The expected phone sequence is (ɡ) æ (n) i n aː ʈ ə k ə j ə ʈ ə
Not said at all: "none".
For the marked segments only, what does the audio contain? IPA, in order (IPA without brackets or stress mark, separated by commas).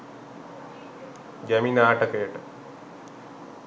ɡ, m